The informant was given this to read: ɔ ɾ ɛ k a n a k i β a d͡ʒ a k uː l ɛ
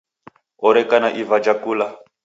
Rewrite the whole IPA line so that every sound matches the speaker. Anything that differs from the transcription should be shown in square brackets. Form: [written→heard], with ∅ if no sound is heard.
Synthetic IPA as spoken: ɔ ɾ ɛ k a n a [k→ʔ] i [β→v] a d͡ʒ a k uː l [ɛ→a]